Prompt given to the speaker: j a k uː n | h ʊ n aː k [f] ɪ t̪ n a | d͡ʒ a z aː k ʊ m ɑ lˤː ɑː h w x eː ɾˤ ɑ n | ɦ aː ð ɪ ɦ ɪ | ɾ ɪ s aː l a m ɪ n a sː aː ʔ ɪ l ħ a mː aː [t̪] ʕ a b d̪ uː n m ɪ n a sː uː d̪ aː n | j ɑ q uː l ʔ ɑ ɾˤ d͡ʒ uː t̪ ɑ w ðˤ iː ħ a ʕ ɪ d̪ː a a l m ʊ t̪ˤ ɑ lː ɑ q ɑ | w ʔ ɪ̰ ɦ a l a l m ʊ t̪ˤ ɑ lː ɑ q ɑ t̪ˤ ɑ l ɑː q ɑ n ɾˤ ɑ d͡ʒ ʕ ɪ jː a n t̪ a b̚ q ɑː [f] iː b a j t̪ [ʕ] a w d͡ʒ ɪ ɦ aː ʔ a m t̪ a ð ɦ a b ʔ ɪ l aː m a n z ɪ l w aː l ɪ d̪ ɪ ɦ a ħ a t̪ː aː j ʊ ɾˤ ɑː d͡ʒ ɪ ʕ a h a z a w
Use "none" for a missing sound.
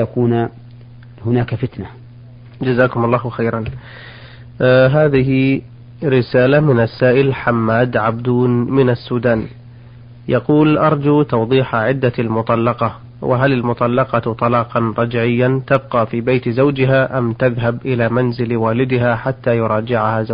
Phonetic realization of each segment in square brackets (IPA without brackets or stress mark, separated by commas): f, d̪, f, z